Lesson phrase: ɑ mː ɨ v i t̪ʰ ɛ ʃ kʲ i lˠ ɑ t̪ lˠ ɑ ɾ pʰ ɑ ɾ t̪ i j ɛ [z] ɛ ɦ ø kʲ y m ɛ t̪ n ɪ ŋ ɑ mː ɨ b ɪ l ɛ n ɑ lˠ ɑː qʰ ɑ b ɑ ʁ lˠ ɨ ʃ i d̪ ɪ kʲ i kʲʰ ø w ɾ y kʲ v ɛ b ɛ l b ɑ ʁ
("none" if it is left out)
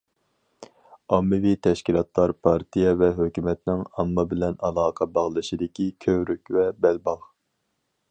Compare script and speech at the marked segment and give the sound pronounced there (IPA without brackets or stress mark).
v